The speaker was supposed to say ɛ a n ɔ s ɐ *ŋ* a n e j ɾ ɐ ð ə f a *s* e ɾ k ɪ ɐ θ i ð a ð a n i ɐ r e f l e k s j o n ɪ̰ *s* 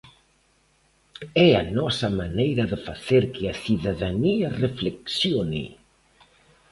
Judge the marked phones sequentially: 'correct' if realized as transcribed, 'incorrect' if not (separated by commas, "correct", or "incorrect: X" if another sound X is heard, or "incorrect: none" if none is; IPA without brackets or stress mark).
incorrect: m, incorrect: θ, incorrect: none